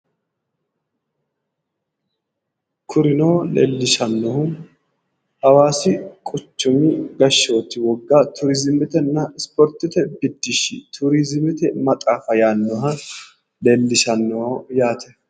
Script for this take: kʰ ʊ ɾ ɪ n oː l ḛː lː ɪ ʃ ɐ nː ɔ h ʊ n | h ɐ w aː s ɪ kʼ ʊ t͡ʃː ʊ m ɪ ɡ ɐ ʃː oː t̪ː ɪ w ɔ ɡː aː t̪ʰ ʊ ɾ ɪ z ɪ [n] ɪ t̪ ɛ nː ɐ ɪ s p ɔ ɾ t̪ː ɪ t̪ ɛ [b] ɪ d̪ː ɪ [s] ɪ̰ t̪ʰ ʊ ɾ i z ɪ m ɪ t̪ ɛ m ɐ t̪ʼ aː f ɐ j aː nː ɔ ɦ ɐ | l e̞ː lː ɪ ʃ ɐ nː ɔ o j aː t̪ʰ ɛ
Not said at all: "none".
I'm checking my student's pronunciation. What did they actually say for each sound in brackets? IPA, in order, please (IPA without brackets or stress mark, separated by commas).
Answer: m, b, ʃ